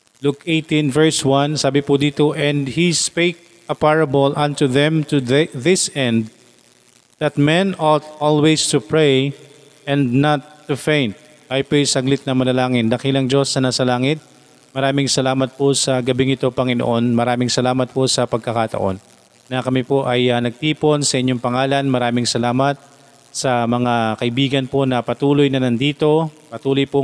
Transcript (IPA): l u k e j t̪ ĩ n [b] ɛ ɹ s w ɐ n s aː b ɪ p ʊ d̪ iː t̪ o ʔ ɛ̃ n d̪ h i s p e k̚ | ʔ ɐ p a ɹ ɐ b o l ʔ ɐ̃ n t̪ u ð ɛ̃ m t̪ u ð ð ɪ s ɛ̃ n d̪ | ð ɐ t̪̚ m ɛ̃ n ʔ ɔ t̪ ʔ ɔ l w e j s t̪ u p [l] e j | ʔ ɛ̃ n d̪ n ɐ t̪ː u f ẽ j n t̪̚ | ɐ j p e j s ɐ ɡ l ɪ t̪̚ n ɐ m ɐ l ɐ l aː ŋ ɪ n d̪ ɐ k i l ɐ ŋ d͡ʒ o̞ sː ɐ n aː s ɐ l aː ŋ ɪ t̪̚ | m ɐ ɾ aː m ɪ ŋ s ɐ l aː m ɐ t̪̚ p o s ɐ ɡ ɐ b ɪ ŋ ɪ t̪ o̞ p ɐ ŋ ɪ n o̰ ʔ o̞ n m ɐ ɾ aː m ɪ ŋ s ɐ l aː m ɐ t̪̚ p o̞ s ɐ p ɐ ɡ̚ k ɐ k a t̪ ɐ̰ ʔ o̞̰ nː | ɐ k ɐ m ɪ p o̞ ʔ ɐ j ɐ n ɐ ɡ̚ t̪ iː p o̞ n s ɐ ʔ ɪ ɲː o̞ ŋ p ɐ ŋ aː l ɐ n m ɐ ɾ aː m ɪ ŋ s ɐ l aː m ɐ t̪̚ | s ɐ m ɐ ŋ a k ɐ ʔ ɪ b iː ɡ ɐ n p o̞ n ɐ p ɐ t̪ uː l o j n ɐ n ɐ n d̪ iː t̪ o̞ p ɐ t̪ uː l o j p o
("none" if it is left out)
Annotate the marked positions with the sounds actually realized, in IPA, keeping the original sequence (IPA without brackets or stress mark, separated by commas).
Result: v, ɹ